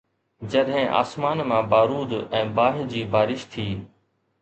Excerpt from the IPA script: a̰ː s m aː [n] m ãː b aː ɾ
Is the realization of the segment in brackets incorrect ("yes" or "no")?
no